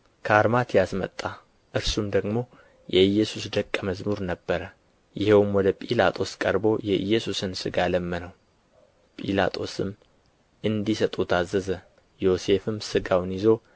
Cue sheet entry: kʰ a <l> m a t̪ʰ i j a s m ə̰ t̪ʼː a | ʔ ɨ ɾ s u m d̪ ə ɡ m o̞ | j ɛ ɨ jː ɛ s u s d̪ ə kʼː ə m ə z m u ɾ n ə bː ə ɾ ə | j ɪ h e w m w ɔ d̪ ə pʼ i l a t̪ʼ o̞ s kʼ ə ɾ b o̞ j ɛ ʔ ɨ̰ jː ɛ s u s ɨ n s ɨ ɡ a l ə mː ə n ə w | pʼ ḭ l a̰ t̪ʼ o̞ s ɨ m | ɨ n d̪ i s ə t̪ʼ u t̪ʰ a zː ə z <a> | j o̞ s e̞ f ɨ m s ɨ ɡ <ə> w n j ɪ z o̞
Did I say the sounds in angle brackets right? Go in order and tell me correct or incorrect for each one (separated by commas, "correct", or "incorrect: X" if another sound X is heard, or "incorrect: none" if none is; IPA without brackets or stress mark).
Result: incorrect: ɾ, incorrect: ə, incorrect: a